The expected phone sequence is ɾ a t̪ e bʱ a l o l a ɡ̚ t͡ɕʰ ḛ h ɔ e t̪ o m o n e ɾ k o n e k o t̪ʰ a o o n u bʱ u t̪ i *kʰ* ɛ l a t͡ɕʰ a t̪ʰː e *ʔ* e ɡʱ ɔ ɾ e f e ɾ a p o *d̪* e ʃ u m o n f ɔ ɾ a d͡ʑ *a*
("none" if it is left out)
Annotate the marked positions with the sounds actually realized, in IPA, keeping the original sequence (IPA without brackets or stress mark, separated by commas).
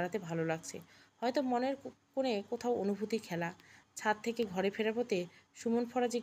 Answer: kʰ, k, t̪, i